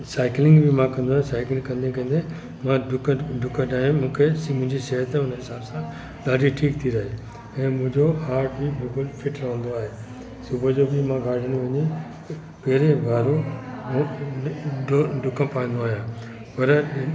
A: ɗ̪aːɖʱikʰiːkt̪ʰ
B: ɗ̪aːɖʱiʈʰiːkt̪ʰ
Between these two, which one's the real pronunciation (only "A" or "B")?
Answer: B